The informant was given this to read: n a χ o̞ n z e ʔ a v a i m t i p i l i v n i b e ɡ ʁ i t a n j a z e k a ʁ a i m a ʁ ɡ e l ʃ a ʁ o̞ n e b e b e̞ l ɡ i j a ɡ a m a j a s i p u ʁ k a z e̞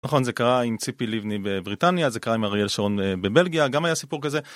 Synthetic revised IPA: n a χ o̞ n z e k a ʁ a i m t͡s i p i l i v n i b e b ʁ i t a n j a z e k a ʁ a i m a ʁ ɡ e l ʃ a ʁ o̞ n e b e b e̞ l ɡ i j a ɡ a m a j a s i p u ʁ k a z e̞